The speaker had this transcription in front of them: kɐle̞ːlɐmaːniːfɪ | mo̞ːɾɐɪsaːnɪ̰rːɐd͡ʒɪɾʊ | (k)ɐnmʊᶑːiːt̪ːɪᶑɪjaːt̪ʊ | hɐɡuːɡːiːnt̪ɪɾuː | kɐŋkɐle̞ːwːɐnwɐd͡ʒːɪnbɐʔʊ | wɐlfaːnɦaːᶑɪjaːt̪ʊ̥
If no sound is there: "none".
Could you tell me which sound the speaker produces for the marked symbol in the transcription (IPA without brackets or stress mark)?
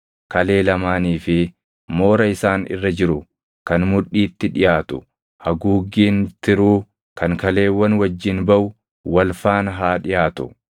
k